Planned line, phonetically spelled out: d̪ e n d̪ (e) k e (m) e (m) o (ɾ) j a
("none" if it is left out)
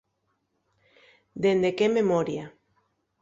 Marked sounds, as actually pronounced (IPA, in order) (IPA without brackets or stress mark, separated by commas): e, m, m, ɾ